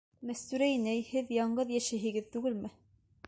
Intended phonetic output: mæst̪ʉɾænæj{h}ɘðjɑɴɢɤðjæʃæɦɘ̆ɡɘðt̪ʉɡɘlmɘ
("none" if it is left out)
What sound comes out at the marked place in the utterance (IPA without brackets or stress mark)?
h